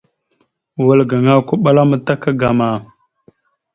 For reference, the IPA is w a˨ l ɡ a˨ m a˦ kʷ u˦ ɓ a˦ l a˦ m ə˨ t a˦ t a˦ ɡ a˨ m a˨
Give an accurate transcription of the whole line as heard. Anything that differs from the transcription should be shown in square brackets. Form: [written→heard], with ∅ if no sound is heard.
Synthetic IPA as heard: w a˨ l ɡ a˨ [m→ŋ] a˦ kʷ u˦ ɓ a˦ l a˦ m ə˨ t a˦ [t→k] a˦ ɡ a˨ m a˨

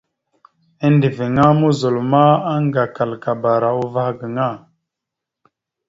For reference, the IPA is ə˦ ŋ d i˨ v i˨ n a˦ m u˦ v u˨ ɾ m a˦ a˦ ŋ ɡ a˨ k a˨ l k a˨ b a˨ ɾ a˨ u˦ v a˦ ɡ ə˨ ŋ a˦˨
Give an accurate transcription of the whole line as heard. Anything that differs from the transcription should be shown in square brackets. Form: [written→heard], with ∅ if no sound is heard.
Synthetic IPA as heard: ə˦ [ŋ→n] d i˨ v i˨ [n→ŋ] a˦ m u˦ [v→z] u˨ [ɾ→l] m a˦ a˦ ŋ ɡ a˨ k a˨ l k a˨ b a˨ ɾ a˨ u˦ v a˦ ɡ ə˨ ŋ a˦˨

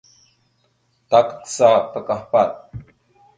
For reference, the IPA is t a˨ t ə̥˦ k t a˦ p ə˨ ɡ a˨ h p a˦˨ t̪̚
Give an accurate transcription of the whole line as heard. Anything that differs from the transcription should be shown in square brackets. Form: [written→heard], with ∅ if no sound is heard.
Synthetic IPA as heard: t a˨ [t→k] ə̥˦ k [t→s] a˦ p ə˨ [ɡ→k] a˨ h p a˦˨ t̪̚

